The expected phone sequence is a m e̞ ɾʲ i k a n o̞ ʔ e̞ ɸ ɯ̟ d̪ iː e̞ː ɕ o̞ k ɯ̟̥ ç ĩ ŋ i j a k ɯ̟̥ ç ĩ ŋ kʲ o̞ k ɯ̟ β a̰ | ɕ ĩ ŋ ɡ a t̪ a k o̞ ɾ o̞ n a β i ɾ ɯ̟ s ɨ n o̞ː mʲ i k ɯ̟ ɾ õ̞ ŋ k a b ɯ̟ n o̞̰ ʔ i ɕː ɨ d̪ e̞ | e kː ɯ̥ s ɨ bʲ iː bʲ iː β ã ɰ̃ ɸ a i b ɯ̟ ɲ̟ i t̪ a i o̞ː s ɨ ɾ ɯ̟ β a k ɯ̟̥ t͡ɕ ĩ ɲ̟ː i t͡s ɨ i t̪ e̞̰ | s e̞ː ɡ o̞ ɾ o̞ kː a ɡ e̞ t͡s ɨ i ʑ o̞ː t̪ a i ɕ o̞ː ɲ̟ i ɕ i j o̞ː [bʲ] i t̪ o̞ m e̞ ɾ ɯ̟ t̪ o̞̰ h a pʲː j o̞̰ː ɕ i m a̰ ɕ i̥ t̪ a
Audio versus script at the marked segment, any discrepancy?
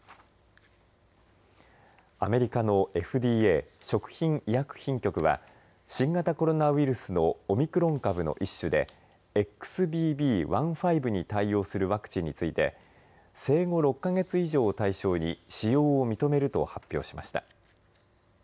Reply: yes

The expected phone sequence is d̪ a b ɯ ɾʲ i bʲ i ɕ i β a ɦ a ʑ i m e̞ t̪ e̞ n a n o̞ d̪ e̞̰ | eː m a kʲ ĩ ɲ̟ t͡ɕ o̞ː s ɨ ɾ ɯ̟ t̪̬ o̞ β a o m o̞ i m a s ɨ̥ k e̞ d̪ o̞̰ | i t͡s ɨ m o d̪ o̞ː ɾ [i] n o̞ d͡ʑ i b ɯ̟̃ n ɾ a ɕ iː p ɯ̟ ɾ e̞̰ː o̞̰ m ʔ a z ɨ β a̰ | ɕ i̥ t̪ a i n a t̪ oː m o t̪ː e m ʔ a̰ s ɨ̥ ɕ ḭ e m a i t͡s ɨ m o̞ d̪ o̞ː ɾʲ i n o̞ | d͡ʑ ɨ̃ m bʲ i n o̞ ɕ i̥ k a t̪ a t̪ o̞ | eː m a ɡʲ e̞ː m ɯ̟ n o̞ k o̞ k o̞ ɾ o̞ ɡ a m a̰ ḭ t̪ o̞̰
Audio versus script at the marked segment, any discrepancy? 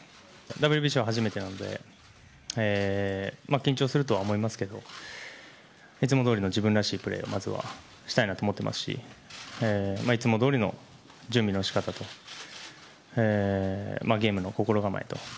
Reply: no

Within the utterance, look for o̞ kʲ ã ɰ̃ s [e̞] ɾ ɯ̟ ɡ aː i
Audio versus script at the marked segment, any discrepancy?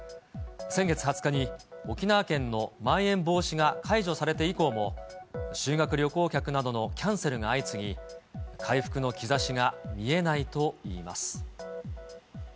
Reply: no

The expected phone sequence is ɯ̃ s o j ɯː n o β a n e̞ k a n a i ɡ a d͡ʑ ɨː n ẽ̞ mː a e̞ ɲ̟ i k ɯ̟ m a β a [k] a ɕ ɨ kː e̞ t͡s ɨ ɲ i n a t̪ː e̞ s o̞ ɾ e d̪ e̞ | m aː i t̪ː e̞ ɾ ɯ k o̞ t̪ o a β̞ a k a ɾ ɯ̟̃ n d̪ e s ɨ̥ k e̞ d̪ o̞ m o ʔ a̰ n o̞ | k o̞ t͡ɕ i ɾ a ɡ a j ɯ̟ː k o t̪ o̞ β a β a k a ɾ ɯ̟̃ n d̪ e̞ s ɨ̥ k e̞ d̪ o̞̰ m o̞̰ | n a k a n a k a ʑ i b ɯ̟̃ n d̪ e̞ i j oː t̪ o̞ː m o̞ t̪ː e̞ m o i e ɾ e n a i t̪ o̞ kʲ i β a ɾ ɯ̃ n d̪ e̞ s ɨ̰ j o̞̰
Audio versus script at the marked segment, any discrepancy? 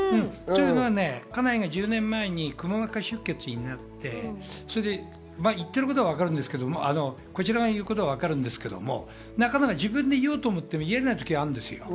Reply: no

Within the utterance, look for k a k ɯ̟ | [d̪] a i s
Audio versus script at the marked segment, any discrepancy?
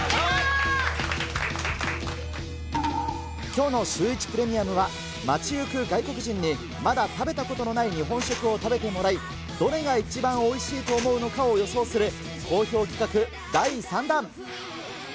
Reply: no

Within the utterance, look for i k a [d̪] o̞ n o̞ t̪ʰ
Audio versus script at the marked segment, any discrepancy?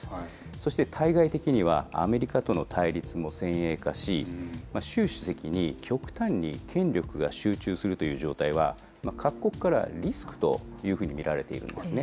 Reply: yes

